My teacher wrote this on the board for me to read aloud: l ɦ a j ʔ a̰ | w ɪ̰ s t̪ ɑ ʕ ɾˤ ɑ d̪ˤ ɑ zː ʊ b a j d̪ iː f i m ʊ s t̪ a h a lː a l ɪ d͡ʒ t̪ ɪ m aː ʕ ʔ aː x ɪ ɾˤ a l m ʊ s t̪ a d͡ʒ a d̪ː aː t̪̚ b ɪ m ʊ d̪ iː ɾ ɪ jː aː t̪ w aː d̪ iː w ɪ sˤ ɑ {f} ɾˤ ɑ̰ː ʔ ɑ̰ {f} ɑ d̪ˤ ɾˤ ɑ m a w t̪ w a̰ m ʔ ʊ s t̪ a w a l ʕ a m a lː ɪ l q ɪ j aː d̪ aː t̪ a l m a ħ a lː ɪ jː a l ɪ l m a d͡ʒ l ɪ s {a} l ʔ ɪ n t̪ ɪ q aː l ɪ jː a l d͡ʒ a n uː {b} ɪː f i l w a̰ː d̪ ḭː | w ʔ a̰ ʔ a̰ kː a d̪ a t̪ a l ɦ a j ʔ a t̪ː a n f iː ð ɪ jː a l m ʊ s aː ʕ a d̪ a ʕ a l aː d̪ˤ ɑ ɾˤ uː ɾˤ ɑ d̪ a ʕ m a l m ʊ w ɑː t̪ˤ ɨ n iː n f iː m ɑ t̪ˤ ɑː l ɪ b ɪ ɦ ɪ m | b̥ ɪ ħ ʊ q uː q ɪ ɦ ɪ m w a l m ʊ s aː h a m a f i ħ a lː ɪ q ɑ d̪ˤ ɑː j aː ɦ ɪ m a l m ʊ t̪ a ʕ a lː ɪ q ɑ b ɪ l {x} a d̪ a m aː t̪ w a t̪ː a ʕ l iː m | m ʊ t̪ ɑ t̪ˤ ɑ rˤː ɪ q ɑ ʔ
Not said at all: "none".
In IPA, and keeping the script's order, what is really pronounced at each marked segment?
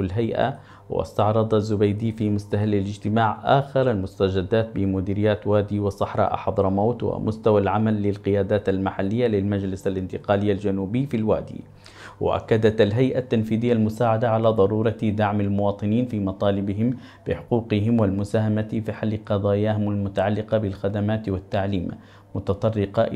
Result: ħ, ħ, a, b, x

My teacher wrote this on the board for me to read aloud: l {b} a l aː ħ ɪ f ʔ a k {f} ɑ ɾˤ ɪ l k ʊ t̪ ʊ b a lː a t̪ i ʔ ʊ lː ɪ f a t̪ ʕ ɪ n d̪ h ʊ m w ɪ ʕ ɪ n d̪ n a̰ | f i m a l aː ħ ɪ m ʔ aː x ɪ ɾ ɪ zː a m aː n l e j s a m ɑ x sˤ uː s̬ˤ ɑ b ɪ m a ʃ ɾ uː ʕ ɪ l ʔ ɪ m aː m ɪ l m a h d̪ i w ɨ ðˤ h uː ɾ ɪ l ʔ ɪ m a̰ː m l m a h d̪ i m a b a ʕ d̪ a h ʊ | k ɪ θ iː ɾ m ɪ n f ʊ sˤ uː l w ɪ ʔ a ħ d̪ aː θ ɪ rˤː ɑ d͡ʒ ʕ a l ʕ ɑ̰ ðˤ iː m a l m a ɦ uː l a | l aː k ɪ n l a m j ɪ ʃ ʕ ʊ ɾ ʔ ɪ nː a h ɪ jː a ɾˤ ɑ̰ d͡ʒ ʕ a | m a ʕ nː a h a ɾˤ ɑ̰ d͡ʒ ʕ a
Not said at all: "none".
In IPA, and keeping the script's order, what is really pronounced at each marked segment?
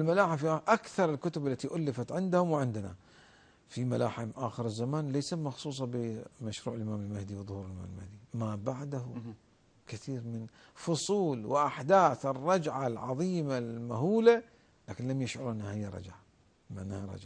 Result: m, θ

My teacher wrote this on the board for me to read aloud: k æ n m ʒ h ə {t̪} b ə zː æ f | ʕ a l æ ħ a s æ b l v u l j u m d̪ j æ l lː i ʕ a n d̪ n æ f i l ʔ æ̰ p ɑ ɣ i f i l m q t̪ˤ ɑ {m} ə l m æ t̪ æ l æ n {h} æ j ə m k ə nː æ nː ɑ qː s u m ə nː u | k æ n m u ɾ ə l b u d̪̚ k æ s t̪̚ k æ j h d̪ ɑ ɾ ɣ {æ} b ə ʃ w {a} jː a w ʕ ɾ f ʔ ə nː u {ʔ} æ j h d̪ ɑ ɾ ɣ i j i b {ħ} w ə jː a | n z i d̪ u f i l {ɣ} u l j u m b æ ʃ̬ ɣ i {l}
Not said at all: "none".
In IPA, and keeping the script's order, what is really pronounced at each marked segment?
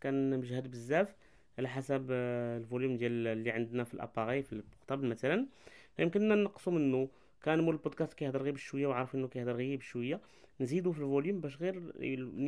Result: d̪, b, f, i, ə, k, ʃ, v, ɾ

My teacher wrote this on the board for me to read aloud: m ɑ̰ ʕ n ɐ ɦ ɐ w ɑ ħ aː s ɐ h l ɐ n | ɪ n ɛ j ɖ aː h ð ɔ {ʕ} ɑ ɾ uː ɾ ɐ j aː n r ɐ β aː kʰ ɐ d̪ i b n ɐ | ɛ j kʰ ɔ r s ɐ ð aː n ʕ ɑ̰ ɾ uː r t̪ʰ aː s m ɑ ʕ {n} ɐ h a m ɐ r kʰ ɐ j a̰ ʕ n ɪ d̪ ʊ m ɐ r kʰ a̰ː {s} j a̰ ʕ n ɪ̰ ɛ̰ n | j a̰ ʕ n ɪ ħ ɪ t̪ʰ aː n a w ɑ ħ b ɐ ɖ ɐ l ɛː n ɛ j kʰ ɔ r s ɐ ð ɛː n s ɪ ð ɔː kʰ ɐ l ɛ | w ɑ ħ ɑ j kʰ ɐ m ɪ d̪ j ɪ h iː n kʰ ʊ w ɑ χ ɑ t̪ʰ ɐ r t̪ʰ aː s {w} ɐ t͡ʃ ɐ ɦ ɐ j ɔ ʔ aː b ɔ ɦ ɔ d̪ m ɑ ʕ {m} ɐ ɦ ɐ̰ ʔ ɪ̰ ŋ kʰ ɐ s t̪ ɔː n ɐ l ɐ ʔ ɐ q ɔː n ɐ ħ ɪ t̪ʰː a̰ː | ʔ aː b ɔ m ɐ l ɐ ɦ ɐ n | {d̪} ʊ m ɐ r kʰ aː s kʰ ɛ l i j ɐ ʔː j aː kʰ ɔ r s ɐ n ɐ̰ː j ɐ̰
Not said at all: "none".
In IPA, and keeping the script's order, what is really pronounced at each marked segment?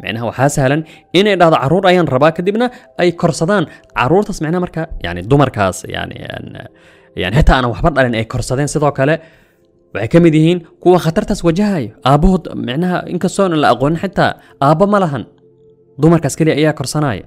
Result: ʕ, n, s, w, n, d̪

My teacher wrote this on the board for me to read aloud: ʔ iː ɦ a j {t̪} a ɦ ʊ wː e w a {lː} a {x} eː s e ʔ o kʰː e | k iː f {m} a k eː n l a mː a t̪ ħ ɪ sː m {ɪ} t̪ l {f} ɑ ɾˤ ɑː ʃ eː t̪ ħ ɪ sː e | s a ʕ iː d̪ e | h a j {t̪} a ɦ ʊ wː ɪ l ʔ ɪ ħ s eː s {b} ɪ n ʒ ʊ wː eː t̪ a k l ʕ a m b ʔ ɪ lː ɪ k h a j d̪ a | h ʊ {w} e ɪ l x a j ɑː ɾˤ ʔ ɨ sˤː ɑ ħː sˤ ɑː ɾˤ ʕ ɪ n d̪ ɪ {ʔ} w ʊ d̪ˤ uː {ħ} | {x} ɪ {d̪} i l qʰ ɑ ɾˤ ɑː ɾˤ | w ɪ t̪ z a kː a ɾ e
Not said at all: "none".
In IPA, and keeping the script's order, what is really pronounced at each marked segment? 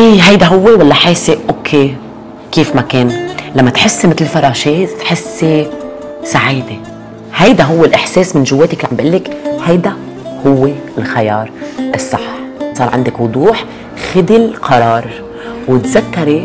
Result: d̪, lː, ħ, m, ɪ, f, d̪, m, wː, k, ħ, x, d̪

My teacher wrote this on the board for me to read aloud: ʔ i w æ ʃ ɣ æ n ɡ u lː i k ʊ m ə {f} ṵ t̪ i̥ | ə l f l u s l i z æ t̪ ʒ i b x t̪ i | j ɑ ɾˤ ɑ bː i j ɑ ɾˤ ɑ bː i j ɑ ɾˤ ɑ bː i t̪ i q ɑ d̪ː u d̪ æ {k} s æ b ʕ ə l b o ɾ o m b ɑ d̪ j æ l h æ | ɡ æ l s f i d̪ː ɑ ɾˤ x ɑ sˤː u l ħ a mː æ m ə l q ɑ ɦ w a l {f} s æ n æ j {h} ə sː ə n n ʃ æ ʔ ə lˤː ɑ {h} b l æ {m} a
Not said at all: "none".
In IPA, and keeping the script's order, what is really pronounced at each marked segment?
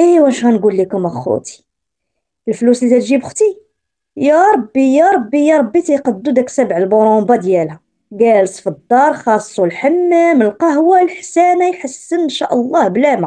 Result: x, k, ħ, ħ, h, m

